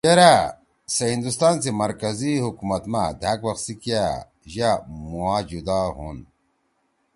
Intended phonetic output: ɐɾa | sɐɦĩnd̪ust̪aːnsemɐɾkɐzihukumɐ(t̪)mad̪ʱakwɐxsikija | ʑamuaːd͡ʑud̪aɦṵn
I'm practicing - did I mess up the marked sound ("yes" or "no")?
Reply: no